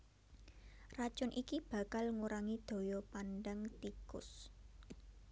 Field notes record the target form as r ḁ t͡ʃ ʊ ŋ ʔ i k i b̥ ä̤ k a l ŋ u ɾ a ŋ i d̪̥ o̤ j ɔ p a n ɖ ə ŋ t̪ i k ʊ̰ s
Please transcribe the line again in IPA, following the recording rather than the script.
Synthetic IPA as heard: r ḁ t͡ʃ ʊ n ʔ i k i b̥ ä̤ k a l ŋ u ɾ a ŋ i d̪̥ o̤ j ɔ p a n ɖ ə ŋ t̪ i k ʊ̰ s